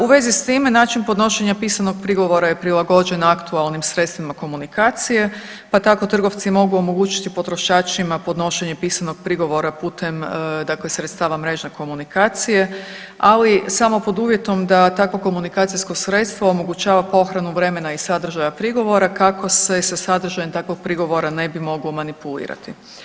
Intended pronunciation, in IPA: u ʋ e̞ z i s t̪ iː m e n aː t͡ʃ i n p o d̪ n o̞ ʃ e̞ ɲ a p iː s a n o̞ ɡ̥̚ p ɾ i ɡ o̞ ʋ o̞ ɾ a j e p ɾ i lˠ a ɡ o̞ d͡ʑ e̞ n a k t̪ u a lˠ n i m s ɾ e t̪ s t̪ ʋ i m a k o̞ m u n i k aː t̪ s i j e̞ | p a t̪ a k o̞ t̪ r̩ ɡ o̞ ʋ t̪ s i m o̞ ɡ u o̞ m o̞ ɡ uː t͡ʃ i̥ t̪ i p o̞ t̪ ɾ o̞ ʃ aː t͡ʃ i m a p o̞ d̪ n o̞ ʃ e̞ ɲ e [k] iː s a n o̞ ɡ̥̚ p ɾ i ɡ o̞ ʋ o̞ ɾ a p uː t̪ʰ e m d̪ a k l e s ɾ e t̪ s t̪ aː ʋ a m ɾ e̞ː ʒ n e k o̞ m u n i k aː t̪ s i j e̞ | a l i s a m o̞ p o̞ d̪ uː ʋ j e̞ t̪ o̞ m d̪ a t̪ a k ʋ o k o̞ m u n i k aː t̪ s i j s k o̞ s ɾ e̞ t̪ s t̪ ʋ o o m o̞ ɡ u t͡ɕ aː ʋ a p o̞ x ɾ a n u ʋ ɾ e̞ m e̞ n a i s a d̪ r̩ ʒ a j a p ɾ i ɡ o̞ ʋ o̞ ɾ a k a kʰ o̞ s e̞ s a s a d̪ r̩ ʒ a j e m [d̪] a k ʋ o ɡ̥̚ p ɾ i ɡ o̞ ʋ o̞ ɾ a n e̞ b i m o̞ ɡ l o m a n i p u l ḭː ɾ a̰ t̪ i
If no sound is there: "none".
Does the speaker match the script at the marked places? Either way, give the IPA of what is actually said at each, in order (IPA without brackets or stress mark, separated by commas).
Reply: p, t̪